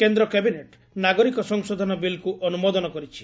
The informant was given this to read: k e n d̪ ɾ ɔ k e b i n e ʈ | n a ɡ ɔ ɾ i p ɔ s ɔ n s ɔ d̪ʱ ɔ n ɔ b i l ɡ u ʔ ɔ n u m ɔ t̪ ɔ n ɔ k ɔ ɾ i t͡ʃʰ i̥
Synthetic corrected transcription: k e n d̪ ɾ ɔ k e b i n e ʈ | n a ɡ ɔ ɾ i k ɔ s ɔ ŋ s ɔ d̪ʱ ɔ n ɔ b i l k u ʔ ɔ n u m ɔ d̪ ɔ n ɔ k ɔ ɾ i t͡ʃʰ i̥